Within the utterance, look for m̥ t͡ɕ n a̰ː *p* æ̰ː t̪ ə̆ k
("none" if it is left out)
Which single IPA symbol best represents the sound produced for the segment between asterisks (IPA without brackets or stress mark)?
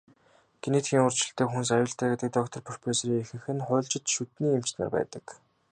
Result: p